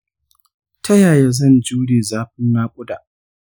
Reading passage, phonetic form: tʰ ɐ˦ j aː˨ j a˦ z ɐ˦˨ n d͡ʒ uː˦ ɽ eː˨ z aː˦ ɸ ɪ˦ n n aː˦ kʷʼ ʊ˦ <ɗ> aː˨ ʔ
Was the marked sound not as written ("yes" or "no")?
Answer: yes